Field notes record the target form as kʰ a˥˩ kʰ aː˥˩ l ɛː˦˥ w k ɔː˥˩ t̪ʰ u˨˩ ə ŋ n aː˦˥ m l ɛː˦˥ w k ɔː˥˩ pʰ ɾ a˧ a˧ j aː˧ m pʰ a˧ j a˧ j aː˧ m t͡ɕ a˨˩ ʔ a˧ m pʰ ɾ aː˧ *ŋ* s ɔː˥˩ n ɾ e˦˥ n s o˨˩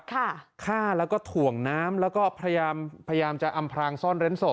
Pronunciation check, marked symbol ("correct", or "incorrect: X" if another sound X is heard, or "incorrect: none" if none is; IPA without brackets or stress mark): correct